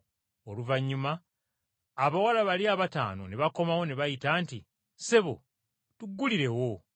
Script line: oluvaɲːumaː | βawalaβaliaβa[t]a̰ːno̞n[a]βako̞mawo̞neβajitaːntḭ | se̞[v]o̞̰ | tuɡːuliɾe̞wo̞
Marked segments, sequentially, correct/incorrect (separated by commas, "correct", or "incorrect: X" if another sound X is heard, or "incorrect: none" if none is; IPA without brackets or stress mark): correct, incorrect: e, incorrect: β